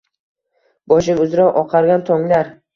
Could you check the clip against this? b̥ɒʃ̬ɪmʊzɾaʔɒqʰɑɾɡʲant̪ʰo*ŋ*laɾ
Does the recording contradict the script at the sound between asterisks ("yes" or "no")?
no